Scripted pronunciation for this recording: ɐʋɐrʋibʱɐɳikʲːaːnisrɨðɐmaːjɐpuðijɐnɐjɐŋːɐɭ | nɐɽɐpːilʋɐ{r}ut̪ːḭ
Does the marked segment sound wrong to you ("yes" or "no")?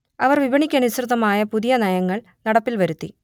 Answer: yes